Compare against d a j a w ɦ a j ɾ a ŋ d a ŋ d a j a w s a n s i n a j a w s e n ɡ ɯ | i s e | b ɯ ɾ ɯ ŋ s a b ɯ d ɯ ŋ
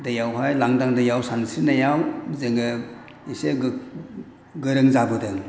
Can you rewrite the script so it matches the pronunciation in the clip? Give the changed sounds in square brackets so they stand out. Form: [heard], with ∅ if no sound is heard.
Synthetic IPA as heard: d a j a w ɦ a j [l] a ŋ d a ŋ d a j a w s a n s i n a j a w [z] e [ŋ] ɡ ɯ | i s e | [ɡ] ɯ ɾ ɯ ŋ [z] a b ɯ d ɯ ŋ